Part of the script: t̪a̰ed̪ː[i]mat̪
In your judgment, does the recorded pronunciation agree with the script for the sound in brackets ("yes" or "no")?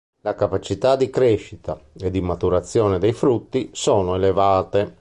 yes